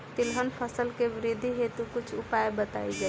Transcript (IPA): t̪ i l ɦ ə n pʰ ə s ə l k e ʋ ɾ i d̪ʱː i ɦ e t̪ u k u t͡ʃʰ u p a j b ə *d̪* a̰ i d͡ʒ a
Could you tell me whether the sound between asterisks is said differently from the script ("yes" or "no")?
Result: yes